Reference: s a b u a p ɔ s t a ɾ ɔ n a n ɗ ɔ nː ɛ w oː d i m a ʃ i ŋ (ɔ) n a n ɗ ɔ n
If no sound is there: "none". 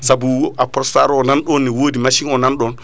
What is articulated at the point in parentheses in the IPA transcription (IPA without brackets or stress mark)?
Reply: ɔ